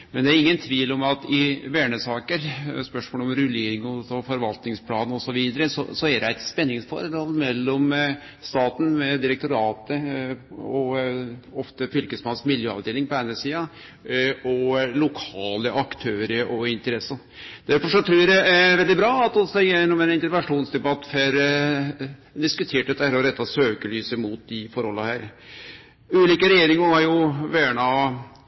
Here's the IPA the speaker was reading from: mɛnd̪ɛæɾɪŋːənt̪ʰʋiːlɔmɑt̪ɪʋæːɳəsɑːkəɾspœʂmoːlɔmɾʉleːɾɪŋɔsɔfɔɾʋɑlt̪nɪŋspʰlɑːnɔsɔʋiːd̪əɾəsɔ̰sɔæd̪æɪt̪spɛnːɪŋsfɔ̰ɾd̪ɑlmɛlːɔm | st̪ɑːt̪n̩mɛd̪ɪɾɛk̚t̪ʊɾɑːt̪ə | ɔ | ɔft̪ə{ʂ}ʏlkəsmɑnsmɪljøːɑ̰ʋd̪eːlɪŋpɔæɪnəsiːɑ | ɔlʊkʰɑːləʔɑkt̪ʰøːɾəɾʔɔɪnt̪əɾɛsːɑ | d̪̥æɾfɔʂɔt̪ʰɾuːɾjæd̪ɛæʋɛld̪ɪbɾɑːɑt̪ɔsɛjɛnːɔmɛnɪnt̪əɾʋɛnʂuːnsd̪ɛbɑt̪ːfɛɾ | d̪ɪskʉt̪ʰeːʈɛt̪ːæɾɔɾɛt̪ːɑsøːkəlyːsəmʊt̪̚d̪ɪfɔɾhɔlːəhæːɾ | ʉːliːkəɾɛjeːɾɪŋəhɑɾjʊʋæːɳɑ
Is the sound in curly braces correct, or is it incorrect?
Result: incorrect